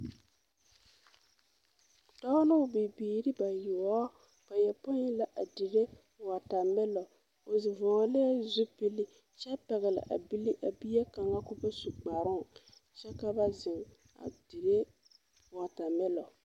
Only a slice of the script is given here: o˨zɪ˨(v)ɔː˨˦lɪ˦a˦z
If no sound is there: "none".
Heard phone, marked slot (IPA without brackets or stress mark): v